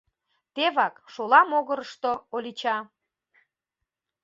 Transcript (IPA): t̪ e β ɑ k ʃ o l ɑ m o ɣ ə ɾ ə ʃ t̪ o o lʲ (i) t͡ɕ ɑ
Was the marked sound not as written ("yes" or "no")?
no